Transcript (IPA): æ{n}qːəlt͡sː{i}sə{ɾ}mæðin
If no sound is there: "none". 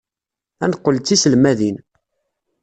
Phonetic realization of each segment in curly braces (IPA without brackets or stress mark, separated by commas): n, i, l